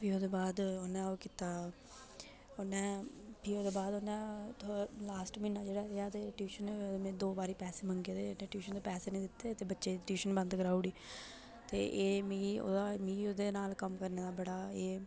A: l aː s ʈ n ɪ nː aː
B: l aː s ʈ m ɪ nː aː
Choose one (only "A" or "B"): B